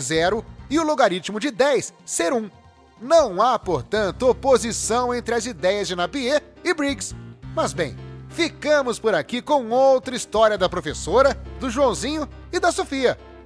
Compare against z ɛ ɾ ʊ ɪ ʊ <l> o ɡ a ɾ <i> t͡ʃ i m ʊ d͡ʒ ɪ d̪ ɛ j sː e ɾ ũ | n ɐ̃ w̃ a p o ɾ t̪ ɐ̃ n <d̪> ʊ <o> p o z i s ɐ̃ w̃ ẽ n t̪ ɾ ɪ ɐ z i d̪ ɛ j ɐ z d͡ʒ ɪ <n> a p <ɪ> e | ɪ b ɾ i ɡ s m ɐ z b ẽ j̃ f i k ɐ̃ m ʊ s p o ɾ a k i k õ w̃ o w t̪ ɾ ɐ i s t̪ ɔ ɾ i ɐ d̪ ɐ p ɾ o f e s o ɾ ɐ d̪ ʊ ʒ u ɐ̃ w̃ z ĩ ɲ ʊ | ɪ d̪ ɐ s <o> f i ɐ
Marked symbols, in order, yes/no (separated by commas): yes, yes, no, yes, yes, no, yes